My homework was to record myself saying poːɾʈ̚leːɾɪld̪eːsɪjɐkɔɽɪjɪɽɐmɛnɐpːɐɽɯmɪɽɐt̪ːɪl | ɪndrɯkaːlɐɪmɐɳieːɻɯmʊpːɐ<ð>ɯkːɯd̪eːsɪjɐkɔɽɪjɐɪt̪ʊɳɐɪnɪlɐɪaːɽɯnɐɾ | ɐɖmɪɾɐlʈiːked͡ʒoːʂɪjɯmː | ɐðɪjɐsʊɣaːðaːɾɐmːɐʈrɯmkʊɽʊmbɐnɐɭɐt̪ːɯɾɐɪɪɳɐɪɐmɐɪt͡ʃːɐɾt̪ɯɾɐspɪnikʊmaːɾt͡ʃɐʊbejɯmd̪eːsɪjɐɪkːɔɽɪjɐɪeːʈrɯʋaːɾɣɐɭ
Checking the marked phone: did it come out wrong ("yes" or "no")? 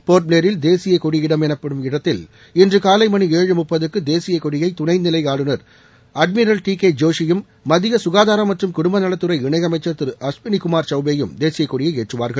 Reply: no